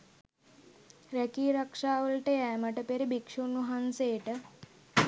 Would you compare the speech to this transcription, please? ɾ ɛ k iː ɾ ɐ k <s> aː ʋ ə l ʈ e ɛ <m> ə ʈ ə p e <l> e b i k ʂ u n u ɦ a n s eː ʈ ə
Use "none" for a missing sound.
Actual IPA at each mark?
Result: ʂ, m, ɾ

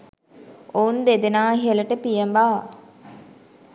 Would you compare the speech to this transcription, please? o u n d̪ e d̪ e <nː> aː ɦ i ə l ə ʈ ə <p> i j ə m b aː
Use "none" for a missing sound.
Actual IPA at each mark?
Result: n, p

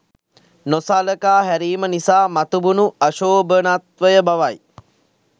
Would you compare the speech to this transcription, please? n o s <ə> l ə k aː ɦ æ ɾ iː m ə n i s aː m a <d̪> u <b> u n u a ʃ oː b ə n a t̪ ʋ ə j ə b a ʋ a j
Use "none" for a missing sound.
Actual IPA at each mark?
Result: a, t̪, b

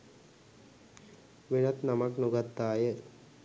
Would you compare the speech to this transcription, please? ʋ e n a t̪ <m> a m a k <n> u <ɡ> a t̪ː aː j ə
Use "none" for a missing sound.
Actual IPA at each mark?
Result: n, n, ɡ

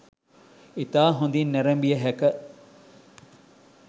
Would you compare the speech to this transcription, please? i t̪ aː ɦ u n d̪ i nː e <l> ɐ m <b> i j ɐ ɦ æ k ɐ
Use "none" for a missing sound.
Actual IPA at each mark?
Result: ɾ, b

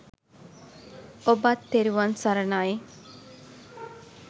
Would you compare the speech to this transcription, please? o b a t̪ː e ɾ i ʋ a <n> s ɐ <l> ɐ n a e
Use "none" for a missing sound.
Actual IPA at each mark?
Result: n, ɾ

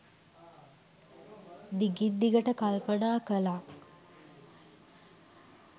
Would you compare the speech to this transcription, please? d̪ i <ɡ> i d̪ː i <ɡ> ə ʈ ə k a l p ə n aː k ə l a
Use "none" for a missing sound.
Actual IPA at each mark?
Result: ɡ, ɡ

